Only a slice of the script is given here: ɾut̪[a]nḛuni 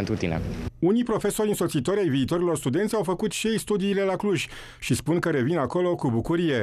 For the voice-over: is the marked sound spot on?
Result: no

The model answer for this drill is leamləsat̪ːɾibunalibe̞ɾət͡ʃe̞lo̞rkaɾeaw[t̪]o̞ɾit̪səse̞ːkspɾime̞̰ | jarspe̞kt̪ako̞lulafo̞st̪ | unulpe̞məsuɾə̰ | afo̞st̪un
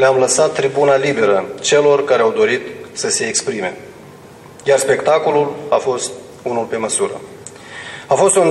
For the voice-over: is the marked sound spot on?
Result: no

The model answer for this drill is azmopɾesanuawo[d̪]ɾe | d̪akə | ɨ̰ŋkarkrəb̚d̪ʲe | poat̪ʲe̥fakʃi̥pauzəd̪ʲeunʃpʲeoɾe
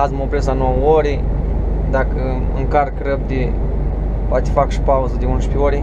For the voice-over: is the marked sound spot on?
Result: no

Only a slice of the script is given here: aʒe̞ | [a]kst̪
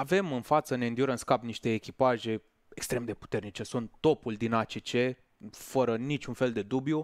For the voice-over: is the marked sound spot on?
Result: no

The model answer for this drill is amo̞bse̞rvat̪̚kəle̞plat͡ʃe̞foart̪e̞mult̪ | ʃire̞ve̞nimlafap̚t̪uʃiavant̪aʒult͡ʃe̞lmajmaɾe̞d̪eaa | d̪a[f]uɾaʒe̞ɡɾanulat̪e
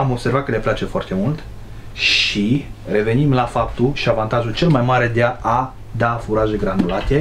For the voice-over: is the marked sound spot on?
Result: yes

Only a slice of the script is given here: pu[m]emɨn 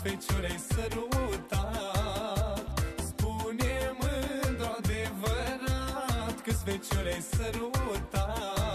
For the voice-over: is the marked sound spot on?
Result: no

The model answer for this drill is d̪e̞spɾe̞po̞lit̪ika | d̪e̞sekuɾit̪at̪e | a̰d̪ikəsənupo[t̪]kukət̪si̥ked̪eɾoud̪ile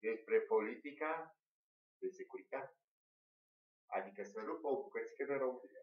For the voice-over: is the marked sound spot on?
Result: no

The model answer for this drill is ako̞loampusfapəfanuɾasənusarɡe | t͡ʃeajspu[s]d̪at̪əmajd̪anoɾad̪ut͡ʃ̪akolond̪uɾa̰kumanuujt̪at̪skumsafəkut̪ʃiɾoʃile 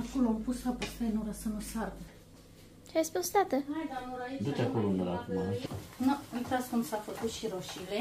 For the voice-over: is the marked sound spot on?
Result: yes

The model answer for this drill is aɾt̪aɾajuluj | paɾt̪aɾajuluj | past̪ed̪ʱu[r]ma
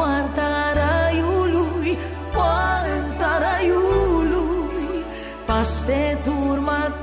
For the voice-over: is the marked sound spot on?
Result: no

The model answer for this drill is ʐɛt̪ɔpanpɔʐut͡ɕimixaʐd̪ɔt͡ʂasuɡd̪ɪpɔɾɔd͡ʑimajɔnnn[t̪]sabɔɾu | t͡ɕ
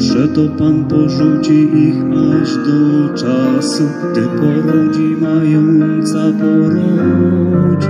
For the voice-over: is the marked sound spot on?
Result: yes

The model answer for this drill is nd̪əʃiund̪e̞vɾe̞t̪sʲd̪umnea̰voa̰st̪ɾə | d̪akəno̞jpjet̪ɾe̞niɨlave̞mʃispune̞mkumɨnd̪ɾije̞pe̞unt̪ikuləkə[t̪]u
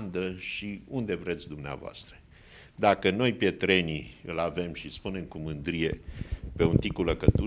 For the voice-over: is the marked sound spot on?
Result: yes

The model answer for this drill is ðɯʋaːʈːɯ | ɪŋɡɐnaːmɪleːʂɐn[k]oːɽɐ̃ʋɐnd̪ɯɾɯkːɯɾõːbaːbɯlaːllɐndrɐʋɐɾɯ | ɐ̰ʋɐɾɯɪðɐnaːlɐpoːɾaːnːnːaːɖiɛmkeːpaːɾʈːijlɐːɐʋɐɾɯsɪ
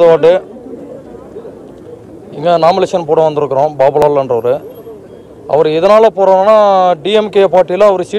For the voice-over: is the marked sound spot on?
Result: no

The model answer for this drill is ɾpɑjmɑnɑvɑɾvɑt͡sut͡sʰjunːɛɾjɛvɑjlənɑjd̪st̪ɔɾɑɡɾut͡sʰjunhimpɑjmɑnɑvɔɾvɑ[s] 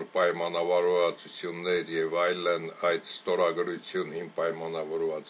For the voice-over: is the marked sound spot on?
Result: no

